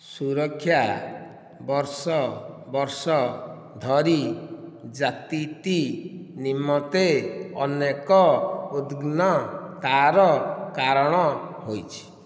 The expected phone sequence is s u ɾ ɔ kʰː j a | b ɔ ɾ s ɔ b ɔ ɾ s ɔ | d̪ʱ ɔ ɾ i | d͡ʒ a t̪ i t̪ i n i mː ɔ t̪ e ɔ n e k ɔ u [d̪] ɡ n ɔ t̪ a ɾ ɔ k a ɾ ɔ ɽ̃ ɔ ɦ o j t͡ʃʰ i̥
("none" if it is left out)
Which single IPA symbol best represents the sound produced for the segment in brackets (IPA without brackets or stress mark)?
d̪